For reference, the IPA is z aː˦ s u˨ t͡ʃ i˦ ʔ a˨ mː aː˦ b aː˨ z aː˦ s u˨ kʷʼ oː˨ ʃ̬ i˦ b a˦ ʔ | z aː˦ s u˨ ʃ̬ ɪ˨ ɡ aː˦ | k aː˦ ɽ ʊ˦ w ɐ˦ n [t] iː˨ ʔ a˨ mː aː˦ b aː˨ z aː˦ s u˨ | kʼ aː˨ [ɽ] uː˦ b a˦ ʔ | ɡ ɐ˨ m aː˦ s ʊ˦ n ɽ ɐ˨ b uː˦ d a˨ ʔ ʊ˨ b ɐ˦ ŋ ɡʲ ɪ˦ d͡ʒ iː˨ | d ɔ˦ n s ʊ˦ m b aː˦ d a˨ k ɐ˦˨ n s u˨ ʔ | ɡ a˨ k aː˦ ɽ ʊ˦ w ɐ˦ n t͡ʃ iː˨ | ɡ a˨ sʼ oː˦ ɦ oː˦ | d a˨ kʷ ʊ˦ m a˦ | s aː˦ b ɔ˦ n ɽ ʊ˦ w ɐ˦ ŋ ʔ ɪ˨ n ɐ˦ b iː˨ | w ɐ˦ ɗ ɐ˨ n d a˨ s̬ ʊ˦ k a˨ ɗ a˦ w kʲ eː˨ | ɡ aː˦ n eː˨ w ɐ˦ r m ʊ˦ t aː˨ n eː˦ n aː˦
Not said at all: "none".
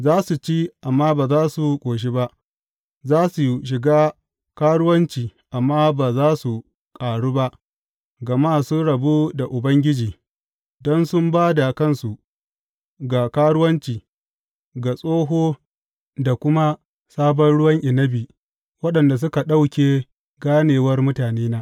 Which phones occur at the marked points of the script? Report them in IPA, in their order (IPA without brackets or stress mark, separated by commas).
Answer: t͡ʃ, ɽ